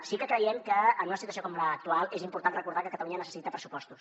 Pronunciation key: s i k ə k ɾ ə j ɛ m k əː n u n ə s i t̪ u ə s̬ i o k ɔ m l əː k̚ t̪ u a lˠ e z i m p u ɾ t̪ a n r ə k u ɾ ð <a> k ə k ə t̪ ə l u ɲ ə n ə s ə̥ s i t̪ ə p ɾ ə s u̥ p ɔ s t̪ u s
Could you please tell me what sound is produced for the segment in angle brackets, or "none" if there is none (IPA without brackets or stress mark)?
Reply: a